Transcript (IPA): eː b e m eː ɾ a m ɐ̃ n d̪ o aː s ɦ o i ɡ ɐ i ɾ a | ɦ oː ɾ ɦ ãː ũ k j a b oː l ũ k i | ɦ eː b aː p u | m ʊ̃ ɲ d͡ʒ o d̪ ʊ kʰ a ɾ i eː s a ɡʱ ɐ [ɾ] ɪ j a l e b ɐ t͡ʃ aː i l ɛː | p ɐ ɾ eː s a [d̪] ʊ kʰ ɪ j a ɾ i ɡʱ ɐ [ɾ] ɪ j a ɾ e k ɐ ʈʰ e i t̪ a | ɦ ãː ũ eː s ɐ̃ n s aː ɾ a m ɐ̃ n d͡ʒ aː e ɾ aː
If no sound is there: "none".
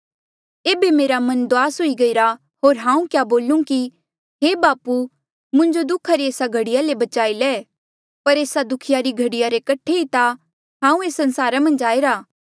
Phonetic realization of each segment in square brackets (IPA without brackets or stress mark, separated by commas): ɽ, d̪, ɽ